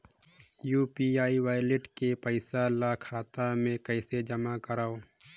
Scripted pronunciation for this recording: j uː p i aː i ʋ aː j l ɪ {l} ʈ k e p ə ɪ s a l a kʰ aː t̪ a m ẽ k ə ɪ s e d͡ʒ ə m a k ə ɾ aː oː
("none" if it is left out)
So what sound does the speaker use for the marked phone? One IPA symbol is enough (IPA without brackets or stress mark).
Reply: none